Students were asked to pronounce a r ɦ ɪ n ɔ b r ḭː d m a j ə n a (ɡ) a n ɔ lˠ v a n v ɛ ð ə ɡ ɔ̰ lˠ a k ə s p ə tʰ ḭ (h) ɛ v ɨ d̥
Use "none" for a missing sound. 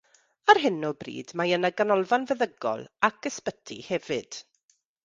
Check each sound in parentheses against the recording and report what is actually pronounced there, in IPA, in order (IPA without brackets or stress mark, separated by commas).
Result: ɡ, h